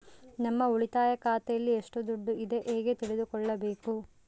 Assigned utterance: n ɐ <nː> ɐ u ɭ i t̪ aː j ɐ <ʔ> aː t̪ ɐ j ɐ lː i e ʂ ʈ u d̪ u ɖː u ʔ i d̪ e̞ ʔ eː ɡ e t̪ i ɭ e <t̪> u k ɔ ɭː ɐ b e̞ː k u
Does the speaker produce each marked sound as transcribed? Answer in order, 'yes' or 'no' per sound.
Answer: no, no, no

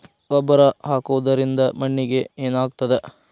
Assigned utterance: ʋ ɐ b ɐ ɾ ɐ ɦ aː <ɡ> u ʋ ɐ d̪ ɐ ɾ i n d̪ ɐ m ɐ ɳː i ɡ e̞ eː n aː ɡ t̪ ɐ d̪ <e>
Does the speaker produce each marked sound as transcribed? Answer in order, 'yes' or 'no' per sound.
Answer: no, yes

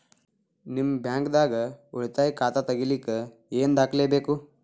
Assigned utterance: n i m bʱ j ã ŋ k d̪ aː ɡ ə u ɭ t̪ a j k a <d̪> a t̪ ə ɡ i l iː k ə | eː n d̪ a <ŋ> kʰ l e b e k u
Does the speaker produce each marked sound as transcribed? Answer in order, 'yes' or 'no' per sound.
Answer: no, no

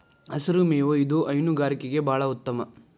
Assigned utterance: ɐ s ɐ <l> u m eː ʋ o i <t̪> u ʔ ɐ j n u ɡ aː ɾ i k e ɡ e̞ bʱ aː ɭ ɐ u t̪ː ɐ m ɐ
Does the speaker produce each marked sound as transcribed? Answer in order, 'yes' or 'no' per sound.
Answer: no, no

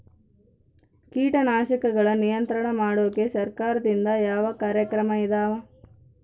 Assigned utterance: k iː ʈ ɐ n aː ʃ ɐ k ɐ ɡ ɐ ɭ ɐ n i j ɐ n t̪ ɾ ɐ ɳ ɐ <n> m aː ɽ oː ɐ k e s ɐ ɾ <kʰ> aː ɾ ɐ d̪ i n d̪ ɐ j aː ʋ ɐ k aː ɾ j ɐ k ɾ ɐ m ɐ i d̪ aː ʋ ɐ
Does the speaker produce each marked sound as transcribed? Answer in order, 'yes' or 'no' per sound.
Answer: no, no

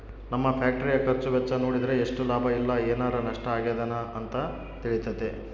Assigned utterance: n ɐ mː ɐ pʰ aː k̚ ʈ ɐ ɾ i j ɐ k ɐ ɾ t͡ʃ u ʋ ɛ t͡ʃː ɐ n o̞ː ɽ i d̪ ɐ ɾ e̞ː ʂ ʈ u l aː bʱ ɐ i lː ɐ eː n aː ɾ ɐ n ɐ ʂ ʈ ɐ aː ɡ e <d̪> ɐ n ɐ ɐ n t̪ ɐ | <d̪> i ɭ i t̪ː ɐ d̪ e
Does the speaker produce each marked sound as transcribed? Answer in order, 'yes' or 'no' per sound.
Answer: yes, no

